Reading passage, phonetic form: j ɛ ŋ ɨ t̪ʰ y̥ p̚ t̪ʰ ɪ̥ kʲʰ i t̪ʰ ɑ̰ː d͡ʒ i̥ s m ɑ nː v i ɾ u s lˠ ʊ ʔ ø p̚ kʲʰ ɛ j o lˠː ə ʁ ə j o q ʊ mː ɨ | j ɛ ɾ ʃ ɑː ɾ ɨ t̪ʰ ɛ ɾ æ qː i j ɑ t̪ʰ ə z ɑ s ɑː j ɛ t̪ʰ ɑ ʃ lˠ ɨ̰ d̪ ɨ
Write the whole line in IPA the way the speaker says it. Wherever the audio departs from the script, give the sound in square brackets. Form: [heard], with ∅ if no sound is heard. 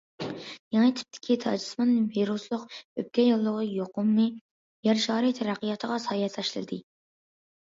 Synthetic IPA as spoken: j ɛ ŋ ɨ t̪ʰ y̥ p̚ t̪ʰ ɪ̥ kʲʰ i t̪ʰ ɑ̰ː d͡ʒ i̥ s m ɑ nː v i ɾ u s lˠ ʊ [q] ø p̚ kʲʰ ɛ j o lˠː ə ʁ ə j o q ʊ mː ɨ | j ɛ ɾ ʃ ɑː ɾ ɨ t̪ʰ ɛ ɾ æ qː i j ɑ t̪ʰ ə [ʁ] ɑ s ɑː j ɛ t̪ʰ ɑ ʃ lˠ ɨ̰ d̪ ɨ